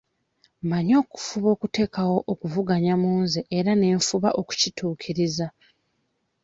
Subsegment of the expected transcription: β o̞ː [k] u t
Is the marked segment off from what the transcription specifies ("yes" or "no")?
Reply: no